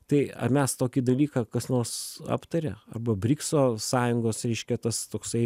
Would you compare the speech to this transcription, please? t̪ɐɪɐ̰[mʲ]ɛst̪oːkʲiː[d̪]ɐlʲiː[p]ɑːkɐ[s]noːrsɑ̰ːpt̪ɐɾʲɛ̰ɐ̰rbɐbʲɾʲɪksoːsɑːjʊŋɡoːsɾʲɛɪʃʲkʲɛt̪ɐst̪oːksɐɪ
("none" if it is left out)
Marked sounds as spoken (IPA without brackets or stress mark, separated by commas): mʲ, d̪, k, s